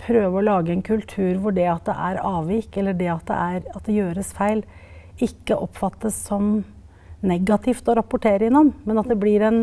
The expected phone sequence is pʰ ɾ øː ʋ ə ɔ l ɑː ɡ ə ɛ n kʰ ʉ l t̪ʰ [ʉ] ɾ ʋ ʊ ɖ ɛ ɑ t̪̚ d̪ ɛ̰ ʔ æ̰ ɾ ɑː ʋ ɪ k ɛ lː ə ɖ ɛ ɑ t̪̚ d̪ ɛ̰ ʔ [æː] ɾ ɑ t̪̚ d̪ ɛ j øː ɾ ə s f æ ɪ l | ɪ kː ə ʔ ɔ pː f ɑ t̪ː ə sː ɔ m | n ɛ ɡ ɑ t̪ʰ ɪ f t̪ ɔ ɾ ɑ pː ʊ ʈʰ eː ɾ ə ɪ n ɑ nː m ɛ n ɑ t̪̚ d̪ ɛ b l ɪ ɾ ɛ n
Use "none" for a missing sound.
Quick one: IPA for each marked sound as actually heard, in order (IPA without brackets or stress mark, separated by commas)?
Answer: ʉː, æ